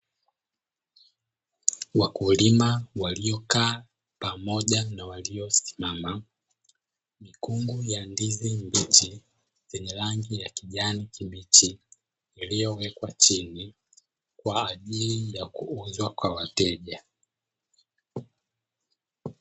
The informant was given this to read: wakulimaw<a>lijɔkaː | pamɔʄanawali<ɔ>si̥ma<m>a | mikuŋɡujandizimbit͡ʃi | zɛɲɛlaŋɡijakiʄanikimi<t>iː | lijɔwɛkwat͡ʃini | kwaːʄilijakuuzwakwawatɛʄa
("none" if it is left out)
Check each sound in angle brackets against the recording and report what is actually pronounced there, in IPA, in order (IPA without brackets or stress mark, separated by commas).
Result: a, ɔ, m, t͡ʃ